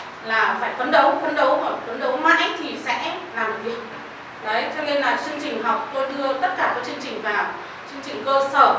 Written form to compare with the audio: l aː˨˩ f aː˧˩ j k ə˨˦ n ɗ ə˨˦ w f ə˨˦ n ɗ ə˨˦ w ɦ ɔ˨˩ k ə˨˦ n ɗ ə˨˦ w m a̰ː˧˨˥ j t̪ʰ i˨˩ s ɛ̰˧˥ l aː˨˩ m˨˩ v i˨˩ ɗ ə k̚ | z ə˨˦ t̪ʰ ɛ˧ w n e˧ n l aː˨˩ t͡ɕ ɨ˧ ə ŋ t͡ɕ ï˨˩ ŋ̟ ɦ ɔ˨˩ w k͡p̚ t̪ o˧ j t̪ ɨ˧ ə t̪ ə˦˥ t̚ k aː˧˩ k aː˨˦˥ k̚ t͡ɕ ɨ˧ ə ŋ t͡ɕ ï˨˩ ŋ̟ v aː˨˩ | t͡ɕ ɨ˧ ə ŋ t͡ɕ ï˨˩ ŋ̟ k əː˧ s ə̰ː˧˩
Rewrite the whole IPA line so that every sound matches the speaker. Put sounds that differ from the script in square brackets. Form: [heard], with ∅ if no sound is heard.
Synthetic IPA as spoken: l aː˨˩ f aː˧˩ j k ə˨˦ n ɗ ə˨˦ w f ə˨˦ n ɗ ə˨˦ w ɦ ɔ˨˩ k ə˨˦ n ɗ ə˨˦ w m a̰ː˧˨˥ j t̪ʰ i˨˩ s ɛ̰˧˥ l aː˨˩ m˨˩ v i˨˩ [∅] ə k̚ | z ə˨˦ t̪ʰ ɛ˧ w n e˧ n l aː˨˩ t͡ɕ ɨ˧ ə ŋ t͡ɕ ï˨˩ ŋ̟ ɦ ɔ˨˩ w k͡p̚ t̪ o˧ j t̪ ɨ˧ ə t̪ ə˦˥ t̚ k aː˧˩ k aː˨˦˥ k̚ t͡ɕ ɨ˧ ə ŋ t͡ɕ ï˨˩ ŋ̟ v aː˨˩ | t͡ɕ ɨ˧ ə ŋ t͡ɕ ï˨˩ ŋ̟ k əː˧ s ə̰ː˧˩